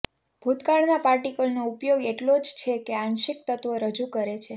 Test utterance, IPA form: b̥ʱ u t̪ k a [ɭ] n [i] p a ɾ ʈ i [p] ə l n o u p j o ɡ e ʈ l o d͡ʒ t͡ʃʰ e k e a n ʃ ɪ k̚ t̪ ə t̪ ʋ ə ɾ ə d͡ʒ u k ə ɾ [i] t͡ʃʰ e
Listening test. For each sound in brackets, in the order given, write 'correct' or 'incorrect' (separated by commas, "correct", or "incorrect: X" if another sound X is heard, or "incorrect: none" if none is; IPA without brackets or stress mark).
correct, incorrect: a, incorrect: k, incorrect: e